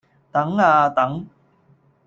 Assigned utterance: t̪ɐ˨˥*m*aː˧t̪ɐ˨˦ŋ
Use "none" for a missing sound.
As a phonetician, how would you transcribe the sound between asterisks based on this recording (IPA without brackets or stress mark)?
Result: ŋ